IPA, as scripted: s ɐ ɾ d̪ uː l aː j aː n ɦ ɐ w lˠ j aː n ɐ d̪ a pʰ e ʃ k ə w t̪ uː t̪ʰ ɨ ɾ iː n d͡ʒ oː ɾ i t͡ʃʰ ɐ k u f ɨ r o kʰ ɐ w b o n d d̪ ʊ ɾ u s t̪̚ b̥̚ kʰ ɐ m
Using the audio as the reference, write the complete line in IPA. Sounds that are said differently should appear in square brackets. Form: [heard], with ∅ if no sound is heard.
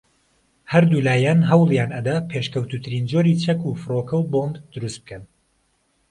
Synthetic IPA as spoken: [h] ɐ ɾ d̪ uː l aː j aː n ɦ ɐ w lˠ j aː n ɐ d̪ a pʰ e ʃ k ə w t̪ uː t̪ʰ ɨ ɾ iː n d͡ʒ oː ɾ i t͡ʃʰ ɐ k u f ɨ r o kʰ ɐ w b o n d d̪ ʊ ɾ u s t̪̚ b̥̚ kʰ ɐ [n]